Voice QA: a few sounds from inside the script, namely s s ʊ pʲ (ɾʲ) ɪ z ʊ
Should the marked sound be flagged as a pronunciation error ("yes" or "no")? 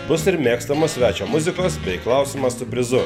no